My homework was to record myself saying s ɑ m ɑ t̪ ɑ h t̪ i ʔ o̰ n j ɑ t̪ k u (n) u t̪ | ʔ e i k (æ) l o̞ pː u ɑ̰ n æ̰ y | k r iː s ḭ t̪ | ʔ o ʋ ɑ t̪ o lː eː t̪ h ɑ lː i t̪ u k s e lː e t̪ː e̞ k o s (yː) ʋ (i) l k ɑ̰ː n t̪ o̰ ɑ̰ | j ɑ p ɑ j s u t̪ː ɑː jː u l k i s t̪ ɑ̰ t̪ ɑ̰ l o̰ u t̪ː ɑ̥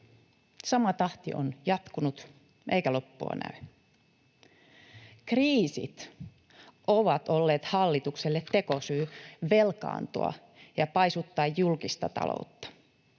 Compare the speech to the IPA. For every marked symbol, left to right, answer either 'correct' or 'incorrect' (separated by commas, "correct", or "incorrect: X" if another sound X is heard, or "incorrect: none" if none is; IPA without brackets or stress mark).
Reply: correct, correct, correct, incorrect: e